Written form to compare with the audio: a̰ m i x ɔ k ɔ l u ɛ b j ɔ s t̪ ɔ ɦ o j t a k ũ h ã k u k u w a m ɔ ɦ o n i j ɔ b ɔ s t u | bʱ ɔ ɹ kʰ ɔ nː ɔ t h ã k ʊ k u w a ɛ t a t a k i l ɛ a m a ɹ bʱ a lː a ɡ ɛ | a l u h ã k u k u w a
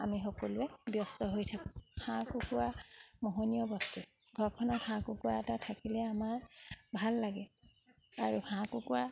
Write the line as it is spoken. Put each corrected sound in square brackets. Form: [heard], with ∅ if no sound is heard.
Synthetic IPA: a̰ m i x ɔ k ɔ l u ɛ b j ɔ s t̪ ɔ ɦ o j [tʰ] a k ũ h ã k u k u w a m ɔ ɦ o n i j ɔ b ɔ s t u | [ɡʱ] ɔ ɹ kʰ ɔ [n] ɔ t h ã k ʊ k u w a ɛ t a [tʰ] a k i l ɛ a m a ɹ bʱ a lː a ɡ ɛ | a [ɹ] u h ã k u k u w a

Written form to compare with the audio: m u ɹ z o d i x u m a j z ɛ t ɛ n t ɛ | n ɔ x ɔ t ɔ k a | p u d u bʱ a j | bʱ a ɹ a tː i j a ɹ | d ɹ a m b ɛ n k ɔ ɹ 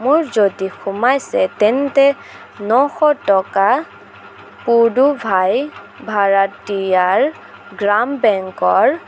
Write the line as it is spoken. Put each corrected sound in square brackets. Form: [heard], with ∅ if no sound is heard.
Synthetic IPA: m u ɹ z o d i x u m a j [s] ɛ t ɛ n t ɛ | n ɔ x ɔ t ɔ k a | p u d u bʱ a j | bʱ a ɹ a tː i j a ɹ | [ɡ] ɹ a m b ɛ [ŋ] k ɔ ɹ

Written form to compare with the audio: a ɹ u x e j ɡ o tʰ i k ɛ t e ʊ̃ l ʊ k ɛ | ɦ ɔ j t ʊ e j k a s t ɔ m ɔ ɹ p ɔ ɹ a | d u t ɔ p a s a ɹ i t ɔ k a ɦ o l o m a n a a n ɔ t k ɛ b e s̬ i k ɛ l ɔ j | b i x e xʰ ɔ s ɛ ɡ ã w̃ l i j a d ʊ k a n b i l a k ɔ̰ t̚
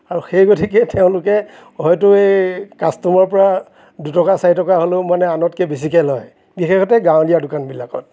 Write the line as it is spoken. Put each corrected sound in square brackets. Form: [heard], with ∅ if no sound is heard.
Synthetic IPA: a ɹ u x e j ɡ o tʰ i k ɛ t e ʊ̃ l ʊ k ɛ | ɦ ɔ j t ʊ e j k a s t ɔ m ɔ ɹ p ɔ ɹ a | d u t ɔ [k] a s a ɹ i t ɔ k a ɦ o l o m a n [ɛ] a n ɔ t k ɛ b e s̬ i k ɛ l ɔ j | b i x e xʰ ɔ [t] ɛ ɡ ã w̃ l i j a d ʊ k a n b i l a k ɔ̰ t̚

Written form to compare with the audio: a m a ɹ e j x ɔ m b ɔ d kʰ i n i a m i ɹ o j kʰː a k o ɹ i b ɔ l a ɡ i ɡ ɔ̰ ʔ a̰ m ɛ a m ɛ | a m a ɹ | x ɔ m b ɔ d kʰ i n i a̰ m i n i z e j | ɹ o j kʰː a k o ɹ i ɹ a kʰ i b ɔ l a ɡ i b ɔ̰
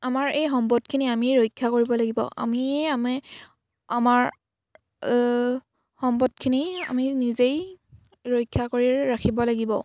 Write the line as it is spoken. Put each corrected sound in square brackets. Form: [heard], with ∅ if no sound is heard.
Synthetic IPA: a m a ɹ e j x ɔ m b ɔ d kʰ i n i a m i ɹ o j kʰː a k o ɹ i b ɔ l a ɡ i [b] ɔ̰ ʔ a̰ m [i] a m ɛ | a m a ɹ | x ɔ m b ɔ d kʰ i n i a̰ m i n i z e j | ɹ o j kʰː a k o ɹ i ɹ a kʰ i b ɔ l a ɡ i b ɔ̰

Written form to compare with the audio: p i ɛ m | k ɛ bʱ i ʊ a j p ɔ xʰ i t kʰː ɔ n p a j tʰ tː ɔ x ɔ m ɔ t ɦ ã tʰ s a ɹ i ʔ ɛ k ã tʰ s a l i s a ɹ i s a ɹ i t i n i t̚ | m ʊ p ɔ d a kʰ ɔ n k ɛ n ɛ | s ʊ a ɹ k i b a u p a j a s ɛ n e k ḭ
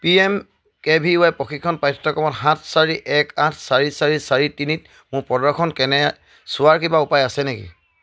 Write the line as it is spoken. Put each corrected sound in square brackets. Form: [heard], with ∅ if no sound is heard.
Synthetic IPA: p i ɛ m | k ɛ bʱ i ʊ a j p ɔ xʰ i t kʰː ɔ n p a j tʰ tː ɔ [k] ɔ m ɔ t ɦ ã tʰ s a ɹ i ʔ ɛ k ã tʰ s a [ɹ] i s a ɹ i s a ɹ i t i n i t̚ | m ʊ p ɔ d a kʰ ɔ n k ɛ n ɛ | s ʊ a ɹ k i b a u p a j a s ɛ n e k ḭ

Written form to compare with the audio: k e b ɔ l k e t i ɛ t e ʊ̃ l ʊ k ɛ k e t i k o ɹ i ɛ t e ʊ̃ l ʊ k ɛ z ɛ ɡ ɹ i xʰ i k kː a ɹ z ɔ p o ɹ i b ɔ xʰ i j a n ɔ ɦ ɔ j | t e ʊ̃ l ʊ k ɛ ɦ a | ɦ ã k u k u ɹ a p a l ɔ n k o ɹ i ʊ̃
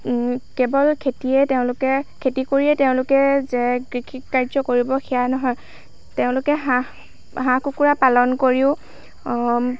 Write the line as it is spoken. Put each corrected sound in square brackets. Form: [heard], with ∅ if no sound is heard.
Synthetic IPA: k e b ɔ l [kʰ] e t i ɛ t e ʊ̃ l ʊ k ɛ [kʰ] e t i k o ɹ i ɛ t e ʊ̃ l ʊ k ɛ z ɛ ɡ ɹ i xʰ i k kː a ɹ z ɔ [k] o ɹ i b ɔ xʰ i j a n ɔ ɦ ɔ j | t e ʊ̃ l ʊ k ɛ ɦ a | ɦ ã k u k u ɹ a p a l ɔ n k o ɹ i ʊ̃

